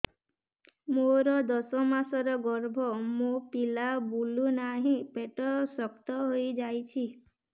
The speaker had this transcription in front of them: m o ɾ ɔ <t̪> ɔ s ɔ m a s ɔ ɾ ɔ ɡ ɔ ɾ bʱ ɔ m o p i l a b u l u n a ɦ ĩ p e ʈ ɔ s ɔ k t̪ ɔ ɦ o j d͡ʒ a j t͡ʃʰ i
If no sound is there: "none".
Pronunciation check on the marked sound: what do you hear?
d̪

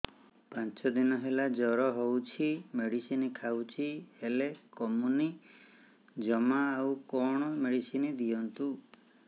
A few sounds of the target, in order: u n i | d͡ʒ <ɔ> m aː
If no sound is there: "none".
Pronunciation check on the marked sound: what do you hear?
ɔ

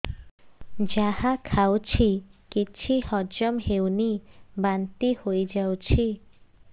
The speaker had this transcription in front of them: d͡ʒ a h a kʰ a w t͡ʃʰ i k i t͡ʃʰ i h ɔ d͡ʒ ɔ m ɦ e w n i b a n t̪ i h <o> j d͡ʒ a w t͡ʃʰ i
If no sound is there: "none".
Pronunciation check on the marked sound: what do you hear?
o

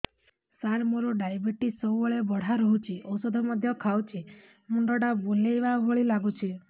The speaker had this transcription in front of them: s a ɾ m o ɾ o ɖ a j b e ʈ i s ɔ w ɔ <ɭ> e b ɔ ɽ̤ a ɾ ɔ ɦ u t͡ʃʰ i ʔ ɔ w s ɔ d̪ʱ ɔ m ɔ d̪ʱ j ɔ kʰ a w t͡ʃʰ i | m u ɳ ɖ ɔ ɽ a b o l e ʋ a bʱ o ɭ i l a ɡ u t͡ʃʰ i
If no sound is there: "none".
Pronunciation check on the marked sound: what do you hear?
ɭ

